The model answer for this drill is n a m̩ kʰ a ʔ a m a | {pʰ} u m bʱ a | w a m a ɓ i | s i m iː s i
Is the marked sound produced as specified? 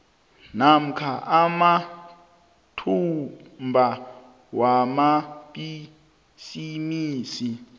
no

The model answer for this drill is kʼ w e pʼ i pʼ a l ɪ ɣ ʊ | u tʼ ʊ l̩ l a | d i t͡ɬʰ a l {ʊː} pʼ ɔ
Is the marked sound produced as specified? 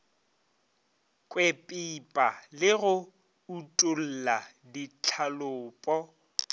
yes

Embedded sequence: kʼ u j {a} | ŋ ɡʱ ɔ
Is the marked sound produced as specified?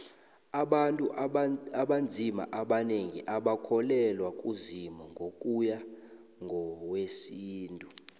yes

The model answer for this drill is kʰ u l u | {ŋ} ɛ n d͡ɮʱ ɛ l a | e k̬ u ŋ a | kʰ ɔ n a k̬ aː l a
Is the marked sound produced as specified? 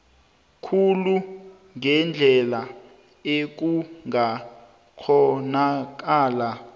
yes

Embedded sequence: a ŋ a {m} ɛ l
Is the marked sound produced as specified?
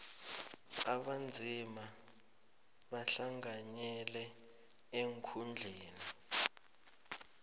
no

